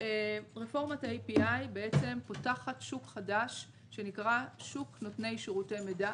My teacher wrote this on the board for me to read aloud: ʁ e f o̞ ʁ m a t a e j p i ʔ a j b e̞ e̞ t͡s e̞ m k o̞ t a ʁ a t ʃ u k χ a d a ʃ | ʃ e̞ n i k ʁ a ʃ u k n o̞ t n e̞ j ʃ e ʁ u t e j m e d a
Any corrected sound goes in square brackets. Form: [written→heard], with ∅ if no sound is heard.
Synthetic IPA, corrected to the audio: ʁ e f o̞ ʁ m a t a e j p i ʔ a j b e̞ e̞ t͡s e̞ m [k→p] o̞ t a [ʁ→χ] a t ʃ u k χ a d a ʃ | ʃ e̞ n i k ʁ a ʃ u k n o̞ t n e̞ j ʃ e ʁ u t e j m e d a